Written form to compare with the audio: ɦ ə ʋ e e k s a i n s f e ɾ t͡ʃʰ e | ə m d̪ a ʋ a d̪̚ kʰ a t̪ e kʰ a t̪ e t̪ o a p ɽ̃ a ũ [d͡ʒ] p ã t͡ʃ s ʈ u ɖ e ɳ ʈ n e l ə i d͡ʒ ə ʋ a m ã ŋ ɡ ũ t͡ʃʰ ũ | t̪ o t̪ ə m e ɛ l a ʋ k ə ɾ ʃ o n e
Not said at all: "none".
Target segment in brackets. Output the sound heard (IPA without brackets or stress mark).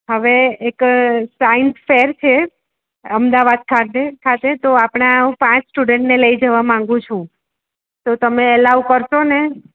none